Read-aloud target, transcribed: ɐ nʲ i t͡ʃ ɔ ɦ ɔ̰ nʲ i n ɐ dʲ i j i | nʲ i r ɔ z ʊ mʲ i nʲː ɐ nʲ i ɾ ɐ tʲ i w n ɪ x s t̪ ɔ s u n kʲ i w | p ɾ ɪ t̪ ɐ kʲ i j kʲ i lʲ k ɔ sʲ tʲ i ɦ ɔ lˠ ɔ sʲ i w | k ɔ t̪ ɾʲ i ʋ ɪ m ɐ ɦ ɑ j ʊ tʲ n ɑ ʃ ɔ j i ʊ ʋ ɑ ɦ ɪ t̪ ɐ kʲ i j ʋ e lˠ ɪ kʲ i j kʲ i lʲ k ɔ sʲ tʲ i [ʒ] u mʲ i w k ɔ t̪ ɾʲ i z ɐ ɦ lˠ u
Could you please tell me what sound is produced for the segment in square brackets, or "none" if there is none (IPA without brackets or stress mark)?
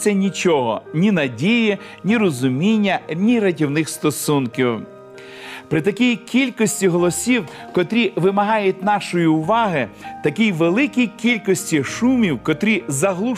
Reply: ʃ